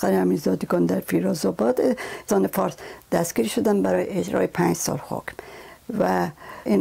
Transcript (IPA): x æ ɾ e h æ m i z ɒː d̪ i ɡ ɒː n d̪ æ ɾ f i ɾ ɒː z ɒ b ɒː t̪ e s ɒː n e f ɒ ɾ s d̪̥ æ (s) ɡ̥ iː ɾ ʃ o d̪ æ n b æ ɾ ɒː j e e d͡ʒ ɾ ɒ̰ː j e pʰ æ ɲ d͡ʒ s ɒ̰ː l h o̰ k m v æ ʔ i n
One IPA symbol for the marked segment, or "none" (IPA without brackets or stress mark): s